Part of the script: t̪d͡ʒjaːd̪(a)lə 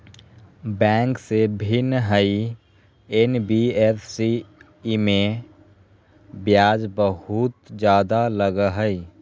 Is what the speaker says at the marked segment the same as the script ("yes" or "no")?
yes